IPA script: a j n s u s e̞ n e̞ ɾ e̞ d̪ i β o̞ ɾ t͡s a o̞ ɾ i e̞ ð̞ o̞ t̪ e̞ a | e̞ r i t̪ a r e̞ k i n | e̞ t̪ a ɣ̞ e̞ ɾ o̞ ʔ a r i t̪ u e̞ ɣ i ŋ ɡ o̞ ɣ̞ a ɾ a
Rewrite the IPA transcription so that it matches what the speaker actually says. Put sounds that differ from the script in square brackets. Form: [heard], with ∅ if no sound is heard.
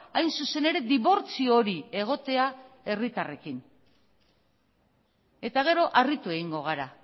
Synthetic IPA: a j n s u s e̞ n e̞ ɾ e̞ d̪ i β o̞ ɾ t͡s [i] o̞ ɾ i e̞ [ɣ̞] o̞ t̪ e̞ a | e̞ r i t̪ a r e̞ k i n | e̞ t̪ a ɣ̞ e̞ ɾ o̞ ʔ a r i t̪ u e̞ ɣ i ŋ ɡ o̞ ɣ̞ a ɾ a